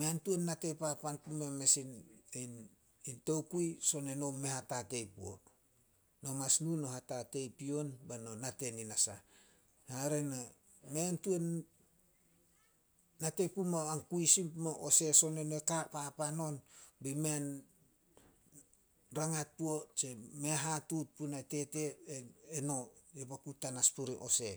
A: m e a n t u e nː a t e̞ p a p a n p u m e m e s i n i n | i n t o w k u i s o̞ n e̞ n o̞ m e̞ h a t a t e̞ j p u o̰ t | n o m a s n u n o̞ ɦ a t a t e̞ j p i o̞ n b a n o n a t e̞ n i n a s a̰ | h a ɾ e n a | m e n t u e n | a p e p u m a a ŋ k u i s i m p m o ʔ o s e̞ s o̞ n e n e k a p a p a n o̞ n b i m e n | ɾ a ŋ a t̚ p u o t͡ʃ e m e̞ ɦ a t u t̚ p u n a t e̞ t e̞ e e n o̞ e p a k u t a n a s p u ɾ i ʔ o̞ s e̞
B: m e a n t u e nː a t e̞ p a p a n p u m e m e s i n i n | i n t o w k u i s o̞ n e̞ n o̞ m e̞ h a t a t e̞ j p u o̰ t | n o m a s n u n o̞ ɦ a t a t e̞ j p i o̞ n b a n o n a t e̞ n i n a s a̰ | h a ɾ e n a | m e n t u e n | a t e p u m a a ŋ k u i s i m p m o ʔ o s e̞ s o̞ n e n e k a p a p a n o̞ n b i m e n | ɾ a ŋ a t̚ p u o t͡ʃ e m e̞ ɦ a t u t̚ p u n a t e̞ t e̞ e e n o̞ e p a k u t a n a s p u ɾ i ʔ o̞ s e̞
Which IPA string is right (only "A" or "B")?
B